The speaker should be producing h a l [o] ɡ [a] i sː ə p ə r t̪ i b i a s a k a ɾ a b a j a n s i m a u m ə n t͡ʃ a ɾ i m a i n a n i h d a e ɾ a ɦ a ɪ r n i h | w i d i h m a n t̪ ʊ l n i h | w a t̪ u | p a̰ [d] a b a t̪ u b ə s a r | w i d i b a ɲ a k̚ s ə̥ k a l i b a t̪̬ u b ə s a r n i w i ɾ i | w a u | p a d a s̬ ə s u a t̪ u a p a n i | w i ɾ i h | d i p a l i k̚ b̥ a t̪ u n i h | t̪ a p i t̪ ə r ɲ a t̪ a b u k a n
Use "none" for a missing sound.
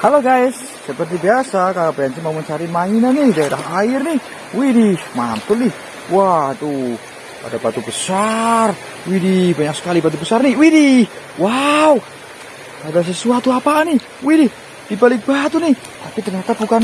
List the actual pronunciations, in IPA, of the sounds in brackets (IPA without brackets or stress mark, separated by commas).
o, a, d